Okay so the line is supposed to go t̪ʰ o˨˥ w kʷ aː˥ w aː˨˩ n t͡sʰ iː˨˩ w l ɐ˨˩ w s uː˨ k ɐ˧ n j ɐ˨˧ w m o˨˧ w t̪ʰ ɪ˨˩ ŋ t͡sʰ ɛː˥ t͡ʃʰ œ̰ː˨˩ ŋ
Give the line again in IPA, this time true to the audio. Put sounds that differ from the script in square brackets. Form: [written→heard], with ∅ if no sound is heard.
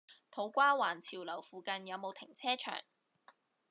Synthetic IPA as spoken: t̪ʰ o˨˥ w kʷ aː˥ w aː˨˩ n t͡sʰ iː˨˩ w l ɐ˨˩ w [s→f] uː˨ k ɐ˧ n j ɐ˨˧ w m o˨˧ w t̪ʰ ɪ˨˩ ŋ t͡sʰ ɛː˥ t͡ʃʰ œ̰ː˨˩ ŋ